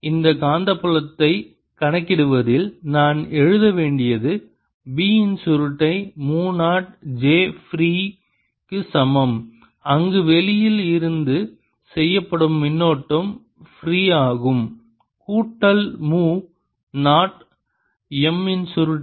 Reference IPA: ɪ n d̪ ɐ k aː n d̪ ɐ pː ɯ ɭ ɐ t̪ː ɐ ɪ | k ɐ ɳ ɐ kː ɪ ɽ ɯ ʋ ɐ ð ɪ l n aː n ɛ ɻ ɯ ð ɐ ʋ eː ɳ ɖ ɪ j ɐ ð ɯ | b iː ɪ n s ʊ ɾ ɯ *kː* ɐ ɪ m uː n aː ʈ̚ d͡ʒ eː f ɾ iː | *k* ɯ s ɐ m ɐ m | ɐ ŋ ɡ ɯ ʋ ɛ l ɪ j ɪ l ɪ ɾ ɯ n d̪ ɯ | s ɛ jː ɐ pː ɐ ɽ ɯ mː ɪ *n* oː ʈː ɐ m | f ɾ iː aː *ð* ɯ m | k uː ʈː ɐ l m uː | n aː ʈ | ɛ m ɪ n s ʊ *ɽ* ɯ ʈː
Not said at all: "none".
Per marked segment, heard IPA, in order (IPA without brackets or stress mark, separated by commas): ʈː, k, nː, ɣ, ɾ